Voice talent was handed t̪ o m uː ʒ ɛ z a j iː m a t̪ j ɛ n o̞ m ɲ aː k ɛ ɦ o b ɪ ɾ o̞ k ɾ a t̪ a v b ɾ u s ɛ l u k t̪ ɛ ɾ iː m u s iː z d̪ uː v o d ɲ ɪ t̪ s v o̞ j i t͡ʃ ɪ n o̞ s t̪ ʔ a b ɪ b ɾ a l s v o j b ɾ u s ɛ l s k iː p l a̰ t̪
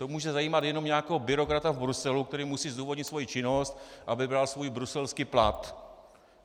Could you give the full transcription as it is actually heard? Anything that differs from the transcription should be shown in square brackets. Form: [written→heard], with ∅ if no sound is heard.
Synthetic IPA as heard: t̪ o m uː ʒ ɛ z a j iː m a t̪ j ɛ n o̞ m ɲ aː k ɛ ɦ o b ɪ ɾ o̞ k ɾ a t̪ a v b ɾ u s ɛ l u k t̪ ɛ ɾ iː m u s iː z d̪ uː v o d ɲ ɪ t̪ s v o̞ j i t͡ʃ ɪ n o̞ s t̪ ʔ a b ɪ b ɾ a l s v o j b ɾ u s ɛ l s k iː p l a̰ t̪